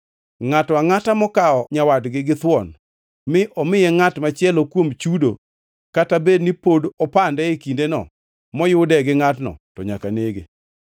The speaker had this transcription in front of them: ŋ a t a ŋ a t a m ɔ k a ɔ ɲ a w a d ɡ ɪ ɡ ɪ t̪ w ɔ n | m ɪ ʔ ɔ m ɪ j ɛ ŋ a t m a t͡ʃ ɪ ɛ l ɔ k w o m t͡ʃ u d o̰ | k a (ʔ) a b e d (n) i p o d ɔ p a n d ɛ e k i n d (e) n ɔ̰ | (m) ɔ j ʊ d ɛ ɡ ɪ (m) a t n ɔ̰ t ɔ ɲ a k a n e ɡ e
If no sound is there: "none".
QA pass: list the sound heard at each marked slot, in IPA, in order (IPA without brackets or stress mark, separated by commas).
t, n, e, m, ŋ